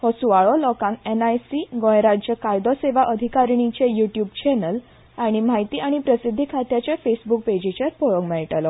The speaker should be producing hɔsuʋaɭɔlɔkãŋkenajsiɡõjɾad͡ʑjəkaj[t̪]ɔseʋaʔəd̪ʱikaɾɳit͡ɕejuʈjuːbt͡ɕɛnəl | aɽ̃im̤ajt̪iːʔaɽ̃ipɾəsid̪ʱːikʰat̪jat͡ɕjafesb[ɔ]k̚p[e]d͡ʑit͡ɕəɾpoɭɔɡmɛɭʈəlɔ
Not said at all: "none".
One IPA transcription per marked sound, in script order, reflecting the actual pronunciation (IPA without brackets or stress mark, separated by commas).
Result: d̪, u, e